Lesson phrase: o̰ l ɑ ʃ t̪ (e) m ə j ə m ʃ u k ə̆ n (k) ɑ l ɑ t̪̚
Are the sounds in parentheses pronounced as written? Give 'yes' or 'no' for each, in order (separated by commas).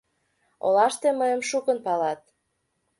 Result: yes, no